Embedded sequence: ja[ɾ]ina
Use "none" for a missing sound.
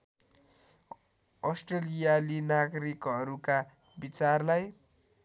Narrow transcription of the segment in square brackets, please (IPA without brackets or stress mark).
l